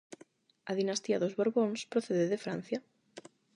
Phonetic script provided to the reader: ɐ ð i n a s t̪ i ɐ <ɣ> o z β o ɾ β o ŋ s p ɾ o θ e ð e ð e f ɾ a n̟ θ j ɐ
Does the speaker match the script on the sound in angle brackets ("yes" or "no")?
no